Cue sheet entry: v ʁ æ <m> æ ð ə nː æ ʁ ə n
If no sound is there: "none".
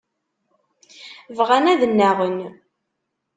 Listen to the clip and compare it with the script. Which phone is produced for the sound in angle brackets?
n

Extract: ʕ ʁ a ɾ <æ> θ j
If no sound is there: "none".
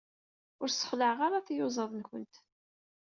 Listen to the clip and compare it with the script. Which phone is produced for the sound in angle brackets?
a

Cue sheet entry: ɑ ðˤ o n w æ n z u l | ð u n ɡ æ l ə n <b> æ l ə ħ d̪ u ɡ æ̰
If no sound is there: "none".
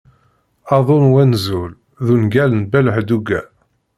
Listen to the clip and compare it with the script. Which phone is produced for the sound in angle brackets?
b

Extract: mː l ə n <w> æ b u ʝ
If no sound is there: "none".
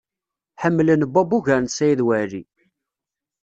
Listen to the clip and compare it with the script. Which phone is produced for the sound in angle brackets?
b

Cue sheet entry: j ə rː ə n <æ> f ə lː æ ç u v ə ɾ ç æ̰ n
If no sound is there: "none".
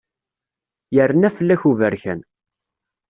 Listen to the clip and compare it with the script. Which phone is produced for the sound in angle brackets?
æ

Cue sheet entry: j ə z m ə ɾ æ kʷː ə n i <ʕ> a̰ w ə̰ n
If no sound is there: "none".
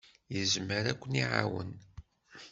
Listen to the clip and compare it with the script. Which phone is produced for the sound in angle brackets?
ʕ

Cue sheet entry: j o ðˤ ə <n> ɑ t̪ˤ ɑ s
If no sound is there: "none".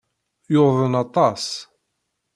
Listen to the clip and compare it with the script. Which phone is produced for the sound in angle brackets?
n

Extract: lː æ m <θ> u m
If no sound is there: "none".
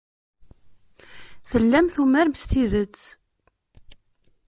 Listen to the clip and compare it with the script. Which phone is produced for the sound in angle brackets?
θ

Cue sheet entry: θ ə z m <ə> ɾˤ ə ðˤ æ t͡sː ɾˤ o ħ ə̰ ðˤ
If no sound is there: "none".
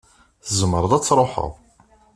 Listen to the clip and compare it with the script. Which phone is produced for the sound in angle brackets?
ə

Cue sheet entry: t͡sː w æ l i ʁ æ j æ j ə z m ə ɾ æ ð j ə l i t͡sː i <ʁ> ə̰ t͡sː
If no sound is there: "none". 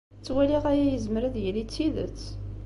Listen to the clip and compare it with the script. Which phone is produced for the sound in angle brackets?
ð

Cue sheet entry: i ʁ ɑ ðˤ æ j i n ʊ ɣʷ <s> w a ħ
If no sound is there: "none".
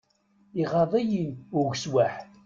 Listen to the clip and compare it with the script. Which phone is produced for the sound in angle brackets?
s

